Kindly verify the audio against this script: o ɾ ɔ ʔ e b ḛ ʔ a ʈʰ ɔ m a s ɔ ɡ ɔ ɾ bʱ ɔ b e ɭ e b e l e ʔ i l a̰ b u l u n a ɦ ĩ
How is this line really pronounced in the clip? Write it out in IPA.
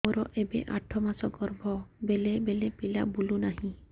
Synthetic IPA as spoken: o ɾ ɔ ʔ e b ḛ ʔ a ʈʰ ɔ m a s ɔ ɡ ɔ ɾ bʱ ɔ b e l e b e l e p i l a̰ b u l u n a ɦ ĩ